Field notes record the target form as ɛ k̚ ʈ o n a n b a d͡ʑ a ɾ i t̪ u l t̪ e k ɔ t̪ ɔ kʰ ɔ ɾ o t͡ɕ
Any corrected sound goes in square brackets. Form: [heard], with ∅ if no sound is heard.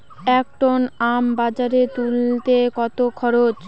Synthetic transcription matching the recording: ɛ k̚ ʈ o n a [m] b a d͡ʑ a ɾ [e] t̪ u l t̪ e k ɔ t̪ [o] kʰ ɔ ɾ o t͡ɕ